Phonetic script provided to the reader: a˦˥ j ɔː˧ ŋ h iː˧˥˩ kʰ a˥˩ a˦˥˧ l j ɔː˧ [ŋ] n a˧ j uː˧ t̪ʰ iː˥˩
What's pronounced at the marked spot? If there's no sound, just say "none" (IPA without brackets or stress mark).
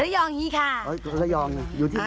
ŋ